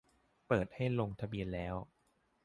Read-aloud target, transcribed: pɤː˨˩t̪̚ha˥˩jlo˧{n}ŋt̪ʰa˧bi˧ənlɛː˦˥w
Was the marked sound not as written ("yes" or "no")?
yes